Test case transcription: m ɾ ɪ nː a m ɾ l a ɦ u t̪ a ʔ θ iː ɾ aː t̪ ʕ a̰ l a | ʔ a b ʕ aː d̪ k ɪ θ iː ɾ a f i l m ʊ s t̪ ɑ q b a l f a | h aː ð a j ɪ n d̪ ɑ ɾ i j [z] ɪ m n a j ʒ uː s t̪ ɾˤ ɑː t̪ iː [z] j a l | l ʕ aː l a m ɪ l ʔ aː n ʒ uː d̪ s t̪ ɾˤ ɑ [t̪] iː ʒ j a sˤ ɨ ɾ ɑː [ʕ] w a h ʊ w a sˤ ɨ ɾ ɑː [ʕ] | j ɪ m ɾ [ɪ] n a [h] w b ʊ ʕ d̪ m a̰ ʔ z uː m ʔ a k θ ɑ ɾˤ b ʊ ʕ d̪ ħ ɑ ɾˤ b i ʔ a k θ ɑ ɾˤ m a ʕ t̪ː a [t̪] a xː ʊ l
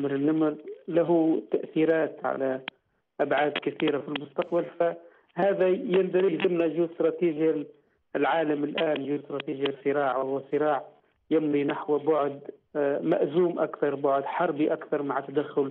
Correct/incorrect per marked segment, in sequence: correct, incorrect, correct, correct, correct, incorrect, incorrect, incorrect

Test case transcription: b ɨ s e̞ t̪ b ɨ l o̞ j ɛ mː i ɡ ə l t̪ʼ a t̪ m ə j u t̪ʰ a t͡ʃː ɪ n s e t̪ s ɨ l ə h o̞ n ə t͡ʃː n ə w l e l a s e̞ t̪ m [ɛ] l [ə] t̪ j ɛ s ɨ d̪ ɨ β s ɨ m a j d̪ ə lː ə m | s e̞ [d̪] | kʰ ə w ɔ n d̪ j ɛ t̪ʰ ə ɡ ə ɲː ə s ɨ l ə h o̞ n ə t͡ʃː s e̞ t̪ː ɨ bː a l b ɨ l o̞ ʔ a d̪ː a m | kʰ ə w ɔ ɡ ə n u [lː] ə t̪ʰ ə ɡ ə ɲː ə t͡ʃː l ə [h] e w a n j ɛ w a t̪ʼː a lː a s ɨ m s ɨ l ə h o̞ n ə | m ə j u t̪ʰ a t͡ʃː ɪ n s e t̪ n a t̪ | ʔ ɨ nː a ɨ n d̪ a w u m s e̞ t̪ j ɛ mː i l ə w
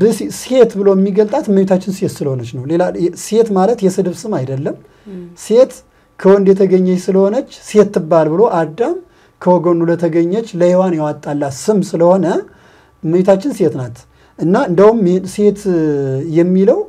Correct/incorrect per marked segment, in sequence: incorrect, correct, incorrect, incorrect, correct

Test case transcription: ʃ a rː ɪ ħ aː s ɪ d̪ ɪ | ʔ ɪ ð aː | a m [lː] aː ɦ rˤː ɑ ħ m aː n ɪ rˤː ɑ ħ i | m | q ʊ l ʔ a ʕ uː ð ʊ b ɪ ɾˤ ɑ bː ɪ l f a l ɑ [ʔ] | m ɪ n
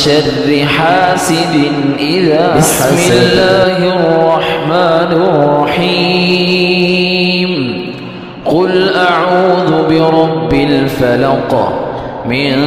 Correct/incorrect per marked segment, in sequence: correct, incorrect

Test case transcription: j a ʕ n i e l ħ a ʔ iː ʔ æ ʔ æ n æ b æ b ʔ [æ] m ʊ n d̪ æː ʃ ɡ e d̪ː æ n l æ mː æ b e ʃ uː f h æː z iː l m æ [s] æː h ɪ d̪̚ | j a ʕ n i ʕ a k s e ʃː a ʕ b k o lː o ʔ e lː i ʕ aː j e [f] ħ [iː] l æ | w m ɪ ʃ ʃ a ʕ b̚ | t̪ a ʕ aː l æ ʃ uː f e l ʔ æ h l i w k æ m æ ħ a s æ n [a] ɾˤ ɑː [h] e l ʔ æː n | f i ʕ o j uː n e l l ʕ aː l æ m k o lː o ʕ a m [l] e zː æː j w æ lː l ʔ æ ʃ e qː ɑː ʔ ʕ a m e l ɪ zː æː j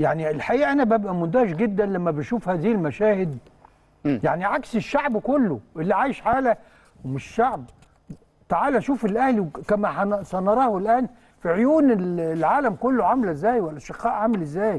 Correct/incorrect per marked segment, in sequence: correct, incorrect, incorrect, incorrect, incorrect, correct, correct

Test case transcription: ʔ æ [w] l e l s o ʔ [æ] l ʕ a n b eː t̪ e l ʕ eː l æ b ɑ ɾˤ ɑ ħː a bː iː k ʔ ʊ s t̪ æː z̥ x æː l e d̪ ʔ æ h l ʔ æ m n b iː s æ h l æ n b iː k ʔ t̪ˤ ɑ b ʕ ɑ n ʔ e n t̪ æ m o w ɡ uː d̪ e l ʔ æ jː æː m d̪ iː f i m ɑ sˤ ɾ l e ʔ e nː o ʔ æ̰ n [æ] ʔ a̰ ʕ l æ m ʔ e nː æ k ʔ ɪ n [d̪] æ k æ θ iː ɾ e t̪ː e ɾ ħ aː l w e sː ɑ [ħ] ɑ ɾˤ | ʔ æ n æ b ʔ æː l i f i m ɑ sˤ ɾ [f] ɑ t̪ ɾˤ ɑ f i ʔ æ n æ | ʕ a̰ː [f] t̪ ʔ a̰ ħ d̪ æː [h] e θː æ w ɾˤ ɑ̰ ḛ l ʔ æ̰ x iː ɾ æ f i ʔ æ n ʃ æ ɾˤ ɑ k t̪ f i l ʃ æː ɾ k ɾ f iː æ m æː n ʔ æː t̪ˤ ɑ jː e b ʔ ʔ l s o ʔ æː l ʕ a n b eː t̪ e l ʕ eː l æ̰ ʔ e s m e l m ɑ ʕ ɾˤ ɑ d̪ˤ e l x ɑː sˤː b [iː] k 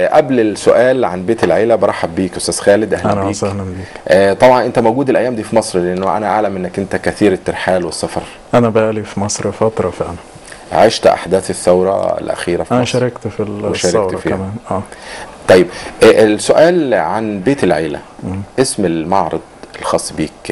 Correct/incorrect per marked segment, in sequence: incorrect, incorrect, correct, incorrect, incorrect, correct, incorrect, incorrect, correct

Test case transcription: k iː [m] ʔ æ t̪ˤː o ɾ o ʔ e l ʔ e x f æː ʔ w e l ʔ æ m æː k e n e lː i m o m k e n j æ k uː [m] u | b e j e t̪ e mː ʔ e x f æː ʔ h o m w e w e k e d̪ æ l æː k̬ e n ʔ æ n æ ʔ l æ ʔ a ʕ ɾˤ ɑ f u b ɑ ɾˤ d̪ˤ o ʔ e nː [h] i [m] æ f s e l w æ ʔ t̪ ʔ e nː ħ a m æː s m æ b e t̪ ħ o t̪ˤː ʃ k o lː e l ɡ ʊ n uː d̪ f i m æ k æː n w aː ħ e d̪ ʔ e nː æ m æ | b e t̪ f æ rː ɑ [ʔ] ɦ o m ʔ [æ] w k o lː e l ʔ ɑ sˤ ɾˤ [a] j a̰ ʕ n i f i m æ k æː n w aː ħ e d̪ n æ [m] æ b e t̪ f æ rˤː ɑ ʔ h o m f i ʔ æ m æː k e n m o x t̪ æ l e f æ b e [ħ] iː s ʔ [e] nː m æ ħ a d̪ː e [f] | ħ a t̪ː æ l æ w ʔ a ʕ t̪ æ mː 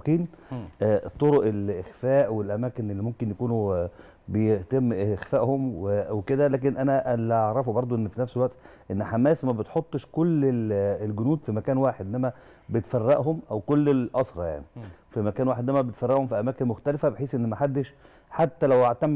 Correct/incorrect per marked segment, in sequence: incorrect, incorrect, incorrect, incorrect, correct, correct, incorrect, correct, correct, correct, incorrect

